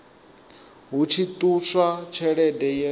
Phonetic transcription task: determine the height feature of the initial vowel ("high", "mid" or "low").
high